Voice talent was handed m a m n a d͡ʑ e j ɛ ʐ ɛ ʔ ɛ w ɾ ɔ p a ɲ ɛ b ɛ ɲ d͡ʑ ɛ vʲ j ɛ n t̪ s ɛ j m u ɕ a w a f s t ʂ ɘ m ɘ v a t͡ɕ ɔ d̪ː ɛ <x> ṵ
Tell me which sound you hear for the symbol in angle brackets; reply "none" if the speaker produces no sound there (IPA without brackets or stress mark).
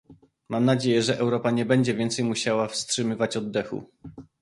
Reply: x